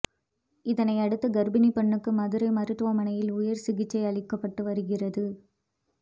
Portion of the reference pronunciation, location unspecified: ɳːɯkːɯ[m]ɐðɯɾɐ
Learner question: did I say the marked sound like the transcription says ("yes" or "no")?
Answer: yes